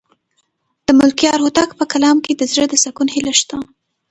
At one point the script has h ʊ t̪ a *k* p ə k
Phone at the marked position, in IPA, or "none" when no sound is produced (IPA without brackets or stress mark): k